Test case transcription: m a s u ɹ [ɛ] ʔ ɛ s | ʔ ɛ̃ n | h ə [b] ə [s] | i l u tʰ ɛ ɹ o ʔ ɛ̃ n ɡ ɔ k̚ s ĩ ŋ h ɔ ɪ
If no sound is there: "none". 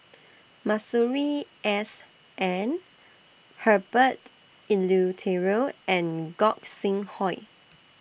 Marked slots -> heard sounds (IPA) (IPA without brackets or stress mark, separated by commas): i, b, t